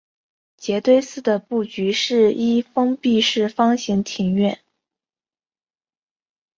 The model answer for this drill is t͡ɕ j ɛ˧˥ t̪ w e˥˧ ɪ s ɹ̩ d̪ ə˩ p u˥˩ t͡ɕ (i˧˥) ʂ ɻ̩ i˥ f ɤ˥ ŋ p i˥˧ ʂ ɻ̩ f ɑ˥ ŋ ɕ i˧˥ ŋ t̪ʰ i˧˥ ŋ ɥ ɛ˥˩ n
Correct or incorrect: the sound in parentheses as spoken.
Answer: incorrect: y˧˥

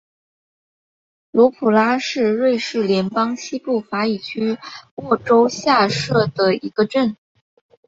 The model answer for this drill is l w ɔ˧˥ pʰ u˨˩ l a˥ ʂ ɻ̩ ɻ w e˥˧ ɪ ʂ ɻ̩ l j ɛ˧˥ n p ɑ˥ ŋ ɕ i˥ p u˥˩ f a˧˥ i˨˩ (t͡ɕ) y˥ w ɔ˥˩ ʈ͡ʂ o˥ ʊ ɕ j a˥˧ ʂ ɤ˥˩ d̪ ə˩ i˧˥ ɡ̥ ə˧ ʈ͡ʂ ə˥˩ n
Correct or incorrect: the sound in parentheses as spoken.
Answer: incorrect: t͡ɕʰ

